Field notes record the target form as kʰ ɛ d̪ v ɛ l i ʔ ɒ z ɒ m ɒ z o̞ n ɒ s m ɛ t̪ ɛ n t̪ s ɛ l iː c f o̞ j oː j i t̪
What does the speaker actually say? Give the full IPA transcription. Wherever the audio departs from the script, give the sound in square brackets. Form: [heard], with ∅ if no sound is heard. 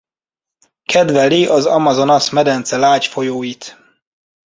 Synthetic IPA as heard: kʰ ɛ d̪ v ɛ l i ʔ ɒ z ɒ m ɒ z o̞ n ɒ s m ɛ [d̪] ɛ n t̪ s ɛ l [aː] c f o̞ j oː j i t̪